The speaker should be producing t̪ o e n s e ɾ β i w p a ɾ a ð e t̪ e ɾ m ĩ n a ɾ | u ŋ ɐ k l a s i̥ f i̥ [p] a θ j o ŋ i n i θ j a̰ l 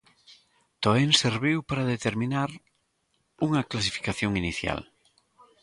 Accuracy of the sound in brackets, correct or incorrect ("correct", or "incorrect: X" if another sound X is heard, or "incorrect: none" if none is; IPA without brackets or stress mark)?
incorrect: k